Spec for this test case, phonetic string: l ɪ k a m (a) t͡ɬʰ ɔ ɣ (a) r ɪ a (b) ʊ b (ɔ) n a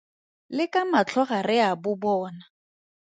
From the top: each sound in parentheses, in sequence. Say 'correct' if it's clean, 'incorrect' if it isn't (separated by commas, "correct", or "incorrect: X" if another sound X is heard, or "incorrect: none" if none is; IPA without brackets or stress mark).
correct, correct, correct, incorrect: ɔː